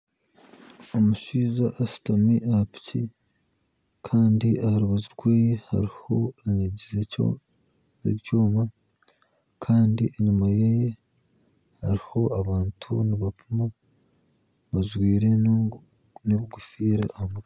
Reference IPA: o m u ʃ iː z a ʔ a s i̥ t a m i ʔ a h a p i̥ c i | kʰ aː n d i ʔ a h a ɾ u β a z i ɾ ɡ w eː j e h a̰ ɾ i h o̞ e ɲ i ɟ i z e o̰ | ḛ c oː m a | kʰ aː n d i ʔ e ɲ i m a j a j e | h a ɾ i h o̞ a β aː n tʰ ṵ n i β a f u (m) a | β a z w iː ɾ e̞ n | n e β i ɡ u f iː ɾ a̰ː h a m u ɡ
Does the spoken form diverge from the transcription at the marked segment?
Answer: no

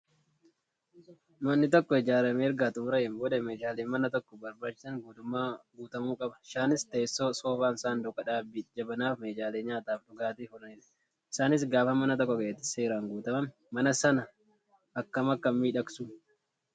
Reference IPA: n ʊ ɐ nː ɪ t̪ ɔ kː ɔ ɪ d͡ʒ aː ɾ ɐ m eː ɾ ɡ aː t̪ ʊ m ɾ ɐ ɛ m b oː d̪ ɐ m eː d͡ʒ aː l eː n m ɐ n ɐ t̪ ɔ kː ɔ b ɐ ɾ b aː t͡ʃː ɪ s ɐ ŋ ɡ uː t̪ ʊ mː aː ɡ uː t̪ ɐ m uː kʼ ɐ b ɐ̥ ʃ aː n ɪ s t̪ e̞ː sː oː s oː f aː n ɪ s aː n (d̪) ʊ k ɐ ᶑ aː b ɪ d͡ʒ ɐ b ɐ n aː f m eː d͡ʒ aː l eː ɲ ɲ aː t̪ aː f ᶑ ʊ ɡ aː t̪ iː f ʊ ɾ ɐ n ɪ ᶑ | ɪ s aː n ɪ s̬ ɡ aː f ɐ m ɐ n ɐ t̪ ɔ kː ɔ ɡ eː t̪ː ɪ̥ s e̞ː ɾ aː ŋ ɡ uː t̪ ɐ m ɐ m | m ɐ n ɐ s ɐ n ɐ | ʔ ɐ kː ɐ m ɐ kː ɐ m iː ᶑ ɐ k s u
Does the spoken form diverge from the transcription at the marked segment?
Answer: no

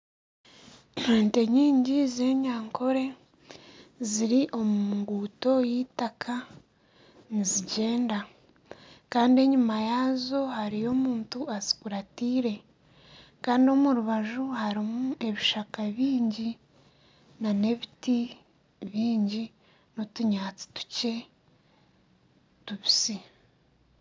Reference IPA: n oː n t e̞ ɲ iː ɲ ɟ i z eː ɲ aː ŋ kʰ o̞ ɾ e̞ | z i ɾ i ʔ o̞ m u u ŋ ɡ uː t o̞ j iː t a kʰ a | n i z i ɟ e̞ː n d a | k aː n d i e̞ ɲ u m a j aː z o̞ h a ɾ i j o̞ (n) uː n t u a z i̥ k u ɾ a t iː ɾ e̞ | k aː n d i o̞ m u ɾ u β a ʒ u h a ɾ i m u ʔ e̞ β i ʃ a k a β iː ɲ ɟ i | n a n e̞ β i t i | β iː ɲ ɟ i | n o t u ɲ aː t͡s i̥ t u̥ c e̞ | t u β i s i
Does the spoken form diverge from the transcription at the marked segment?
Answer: yes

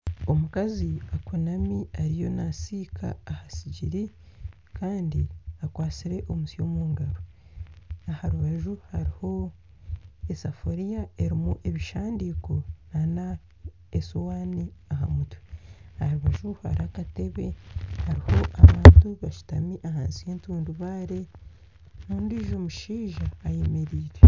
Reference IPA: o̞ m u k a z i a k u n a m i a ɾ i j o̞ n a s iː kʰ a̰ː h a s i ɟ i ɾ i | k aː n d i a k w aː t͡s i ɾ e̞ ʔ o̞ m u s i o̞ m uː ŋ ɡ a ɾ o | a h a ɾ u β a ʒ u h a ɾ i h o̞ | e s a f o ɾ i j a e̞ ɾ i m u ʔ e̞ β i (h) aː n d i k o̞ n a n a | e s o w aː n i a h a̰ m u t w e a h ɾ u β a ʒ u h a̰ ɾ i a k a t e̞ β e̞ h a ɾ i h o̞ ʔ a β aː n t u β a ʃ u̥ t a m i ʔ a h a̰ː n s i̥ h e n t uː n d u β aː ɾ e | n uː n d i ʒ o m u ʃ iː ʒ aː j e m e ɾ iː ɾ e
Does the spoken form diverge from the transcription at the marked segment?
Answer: yes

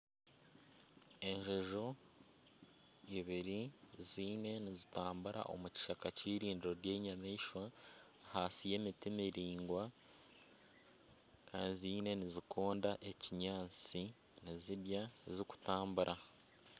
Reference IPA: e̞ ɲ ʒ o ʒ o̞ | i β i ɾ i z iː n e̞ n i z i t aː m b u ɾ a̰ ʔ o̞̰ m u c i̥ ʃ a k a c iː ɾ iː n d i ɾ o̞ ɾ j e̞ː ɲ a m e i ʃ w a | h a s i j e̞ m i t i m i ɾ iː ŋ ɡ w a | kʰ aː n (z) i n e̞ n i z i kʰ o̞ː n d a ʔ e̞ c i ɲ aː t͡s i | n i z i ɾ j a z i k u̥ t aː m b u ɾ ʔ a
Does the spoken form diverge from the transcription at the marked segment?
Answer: no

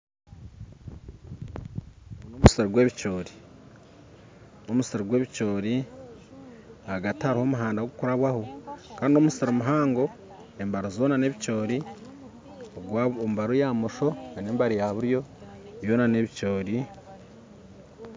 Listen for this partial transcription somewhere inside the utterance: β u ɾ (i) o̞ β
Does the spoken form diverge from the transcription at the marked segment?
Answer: yes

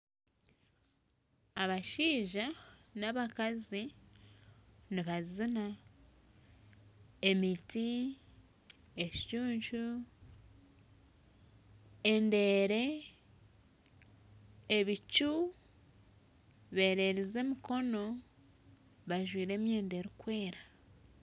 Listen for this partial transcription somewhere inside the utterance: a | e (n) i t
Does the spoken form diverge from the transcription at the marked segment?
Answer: yes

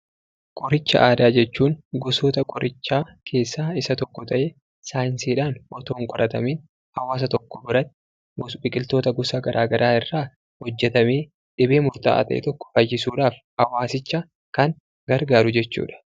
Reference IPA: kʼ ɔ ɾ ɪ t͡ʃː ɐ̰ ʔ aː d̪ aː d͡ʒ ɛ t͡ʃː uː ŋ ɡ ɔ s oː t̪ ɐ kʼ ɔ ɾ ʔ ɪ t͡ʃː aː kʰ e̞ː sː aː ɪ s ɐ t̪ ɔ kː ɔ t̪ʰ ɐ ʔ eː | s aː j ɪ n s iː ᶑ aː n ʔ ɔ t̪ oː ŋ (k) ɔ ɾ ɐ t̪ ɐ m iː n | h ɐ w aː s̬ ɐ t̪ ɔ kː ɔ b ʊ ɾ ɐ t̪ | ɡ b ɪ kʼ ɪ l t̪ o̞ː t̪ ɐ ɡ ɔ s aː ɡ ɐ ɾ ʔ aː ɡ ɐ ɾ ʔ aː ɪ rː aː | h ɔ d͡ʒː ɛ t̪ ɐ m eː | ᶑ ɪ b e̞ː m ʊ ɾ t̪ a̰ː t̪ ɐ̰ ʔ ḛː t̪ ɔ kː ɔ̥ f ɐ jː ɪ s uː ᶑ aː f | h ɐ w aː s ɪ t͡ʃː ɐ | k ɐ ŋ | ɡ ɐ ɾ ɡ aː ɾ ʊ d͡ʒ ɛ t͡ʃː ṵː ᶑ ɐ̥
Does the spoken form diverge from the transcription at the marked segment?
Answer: yes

